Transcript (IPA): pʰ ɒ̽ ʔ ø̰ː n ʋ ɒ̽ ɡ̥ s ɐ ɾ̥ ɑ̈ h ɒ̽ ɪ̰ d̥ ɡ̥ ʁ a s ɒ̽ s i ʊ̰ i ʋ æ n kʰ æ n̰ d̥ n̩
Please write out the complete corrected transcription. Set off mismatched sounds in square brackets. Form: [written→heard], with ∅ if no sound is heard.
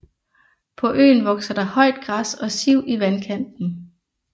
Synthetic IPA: pʰ ɒ̽ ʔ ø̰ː n ʋ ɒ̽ ɡ̥ s ɐ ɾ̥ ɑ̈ h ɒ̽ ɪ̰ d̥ ɡ̥ ʁ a s ɒ̽ s i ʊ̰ i ʋ æ n kʰ æ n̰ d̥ n̩